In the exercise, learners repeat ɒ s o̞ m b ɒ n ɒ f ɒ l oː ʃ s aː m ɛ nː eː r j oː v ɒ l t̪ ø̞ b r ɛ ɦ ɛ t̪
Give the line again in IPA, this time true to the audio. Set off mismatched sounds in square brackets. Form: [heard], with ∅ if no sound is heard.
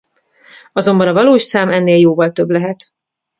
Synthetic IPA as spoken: ɒ [z] o̞ m b ɒ n ɒ [v] ɒ l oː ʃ s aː m ɛ nː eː [l] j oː v ɒ l t̪ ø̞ b [l] ɛ ɦ ɛ t̪